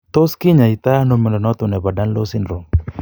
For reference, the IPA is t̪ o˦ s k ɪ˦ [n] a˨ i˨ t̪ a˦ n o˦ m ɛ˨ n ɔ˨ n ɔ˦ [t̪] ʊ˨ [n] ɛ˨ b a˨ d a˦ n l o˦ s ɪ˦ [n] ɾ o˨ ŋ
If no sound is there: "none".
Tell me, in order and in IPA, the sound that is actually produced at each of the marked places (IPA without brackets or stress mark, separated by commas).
ɲ, t̪, n, n